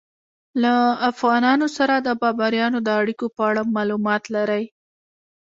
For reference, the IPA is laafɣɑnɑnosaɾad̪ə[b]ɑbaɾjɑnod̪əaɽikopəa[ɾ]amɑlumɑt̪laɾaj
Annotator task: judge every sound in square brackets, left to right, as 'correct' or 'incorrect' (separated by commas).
correct, incorrect